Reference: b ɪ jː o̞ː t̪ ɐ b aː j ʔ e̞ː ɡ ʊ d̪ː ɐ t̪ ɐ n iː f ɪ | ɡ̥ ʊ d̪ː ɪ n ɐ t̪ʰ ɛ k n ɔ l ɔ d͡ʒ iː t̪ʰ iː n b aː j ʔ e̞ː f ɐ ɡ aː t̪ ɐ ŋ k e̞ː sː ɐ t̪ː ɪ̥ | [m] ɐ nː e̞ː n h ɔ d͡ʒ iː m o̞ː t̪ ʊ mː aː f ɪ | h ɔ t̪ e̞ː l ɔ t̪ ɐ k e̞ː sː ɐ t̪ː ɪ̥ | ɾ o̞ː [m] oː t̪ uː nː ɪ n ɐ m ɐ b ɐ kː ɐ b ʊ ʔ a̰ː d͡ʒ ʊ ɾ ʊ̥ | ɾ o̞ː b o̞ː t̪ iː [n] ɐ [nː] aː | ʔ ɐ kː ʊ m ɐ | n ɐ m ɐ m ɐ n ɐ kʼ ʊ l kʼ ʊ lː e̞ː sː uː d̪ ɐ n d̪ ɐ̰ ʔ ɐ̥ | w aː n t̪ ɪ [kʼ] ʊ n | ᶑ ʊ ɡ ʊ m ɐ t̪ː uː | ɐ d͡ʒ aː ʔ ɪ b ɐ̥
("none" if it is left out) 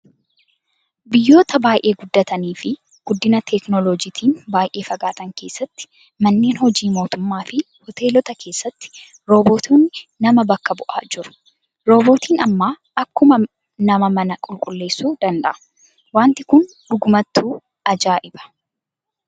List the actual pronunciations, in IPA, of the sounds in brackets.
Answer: m, b, n, mː, k

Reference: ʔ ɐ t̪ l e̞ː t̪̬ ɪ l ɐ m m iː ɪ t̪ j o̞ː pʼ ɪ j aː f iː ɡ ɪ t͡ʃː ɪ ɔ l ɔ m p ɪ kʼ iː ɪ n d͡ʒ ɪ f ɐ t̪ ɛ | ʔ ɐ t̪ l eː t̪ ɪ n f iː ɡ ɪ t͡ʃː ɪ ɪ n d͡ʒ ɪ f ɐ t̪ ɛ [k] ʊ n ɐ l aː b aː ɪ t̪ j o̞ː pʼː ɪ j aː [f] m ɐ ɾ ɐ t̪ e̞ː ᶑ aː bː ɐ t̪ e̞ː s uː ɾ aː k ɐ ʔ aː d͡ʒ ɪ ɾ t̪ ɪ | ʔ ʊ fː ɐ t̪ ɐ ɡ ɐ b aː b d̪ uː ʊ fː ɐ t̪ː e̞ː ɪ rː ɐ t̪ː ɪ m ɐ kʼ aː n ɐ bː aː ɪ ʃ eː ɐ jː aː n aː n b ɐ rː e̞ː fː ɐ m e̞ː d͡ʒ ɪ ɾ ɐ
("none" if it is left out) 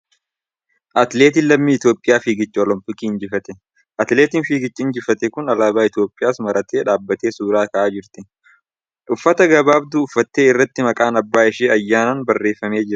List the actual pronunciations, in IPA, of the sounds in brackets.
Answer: k, s

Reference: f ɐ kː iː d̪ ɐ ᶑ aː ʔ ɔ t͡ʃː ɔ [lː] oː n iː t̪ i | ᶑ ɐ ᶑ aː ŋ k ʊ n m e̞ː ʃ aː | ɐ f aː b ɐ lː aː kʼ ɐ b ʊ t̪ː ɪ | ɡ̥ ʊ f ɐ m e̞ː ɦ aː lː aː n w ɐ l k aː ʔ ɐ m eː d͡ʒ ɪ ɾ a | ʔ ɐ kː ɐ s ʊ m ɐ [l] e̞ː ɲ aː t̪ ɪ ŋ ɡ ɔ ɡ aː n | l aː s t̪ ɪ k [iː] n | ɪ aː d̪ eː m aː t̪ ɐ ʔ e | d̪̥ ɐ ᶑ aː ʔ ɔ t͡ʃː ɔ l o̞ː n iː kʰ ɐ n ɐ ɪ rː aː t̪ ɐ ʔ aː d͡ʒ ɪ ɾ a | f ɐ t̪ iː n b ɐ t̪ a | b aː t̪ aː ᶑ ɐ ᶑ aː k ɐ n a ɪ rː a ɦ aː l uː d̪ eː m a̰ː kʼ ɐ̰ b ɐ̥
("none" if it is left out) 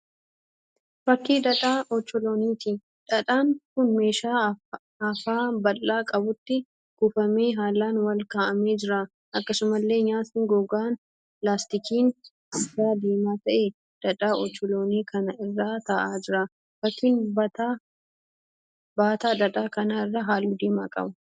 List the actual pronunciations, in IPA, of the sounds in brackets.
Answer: l, lː, iː

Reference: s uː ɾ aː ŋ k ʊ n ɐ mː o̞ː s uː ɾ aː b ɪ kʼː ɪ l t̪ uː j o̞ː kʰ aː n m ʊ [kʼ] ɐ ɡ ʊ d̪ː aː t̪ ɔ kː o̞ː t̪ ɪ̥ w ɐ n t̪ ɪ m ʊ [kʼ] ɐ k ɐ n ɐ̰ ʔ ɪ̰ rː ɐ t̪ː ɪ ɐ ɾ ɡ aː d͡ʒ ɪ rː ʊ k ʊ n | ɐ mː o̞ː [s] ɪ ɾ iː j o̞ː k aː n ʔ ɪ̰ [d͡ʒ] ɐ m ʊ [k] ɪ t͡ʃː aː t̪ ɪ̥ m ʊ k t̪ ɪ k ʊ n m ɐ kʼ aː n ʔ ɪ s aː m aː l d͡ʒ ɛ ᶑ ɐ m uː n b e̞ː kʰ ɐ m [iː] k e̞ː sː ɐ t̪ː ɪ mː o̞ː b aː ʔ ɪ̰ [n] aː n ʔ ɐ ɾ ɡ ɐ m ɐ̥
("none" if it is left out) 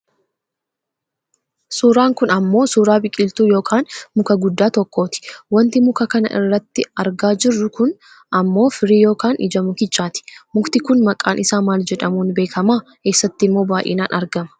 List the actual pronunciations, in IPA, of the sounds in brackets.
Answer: k, k, f, d͡ʒ, k, aː, n

